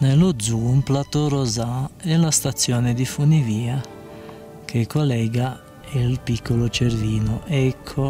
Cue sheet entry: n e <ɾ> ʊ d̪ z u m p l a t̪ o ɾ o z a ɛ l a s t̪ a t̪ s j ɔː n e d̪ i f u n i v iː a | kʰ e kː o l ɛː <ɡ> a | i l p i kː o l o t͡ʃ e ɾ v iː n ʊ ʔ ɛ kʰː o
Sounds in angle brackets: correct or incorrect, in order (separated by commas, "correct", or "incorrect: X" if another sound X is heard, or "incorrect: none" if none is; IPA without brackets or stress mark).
incorrect: l, correct